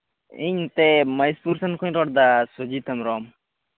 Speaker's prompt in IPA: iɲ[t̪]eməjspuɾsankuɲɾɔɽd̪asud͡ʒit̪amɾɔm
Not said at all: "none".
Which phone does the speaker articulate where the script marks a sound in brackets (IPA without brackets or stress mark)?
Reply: t̪